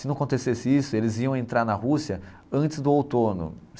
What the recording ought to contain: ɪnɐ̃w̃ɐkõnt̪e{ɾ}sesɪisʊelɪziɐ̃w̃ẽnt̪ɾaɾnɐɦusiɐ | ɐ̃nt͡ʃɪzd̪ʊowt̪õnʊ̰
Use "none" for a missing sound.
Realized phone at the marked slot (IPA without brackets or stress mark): none